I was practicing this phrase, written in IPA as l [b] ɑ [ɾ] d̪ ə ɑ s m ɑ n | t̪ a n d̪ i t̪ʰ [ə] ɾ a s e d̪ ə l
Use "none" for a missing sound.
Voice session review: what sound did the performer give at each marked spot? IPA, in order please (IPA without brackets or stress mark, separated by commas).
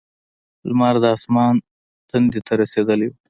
m, ɾ, a